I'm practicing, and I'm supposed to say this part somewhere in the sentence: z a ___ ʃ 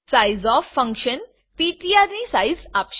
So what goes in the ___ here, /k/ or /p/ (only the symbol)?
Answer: p